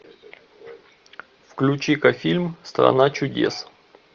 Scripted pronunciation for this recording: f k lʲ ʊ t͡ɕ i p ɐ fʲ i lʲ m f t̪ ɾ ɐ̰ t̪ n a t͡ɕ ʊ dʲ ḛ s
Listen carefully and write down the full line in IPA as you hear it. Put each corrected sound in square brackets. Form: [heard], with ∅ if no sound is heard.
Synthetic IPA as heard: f k lʲ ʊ t͡ɕ i [k] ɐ fʲ i lʲ m [s] t̪ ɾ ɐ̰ [∅] n a t͡ɕ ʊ dʲ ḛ s